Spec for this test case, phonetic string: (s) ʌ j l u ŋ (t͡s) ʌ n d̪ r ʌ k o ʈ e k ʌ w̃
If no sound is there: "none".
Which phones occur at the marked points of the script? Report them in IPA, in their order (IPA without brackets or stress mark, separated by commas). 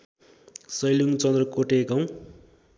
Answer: s, t͡s